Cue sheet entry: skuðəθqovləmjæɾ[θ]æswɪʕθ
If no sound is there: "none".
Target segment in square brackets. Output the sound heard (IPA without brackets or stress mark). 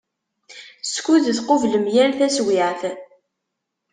θ